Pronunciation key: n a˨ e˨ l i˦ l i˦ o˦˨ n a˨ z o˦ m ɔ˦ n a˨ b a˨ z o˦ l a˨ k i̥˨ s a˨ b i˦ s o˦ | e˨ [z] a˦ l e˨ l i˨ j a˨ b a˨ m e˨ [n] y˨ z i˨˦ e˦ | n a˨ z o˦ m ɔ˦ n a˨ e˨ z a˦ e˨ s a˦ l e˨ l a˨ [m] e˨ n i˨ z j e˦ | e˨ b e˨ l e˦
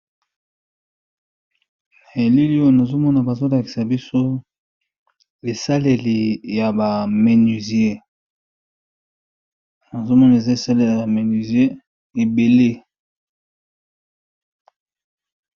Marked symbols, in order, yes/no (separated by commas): no, yes, yes